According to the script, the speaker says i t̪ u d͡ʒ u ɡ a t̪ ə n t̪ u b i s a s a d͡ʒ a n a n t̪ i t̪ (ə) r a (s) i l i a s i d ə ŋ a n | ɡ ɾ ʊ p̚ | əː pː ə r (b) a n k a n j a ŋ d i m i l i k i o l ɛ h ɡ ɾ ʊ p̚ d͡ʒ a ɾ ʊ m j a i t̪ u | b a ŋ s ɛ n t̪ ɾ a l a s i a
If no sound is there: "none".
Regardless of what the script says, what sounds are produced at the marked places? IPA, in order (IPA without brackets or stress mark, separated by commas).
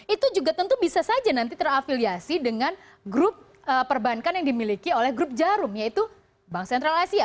ə, f, b